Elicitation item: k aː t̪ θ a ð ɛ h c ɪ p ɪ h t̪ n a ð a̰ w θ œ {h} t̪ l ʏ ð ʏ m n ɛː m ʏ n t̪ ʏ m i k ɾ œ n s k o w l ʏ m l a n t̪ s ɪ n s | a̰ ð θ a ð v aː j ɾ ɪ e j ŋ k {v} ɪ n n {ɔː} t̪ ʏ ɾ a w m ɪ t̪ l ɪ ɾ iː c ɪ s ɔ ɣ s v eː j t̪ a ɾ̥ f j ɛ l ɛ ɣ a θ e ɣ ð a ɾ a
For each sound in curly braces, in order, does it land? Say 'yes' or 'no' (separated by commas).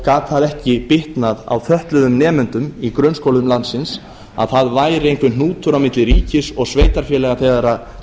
yes, yes, no